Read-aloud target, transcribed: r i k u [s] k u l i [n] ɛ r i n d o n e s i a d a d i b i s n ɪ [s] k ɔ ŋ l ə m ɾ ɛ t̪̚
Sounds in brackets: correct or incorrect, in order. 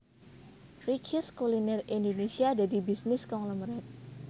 correct, correct, correct

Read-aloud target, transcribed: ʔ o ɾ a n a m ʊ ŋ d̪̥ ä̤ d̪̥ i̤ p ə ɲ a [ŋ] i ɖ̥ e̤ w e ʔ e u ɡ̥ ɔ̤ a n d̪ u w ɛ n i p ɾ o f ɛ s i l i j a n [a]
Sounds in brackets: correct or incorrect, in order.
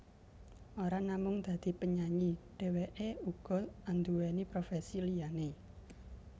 incorrect, incorrect

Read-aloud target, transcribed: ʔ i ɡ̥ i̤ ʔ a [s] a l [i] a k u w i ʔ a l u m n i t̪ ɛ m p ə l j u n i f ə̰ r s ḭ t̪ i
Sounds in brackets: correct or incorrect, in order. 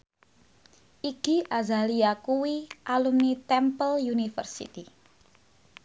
incorrect, correct

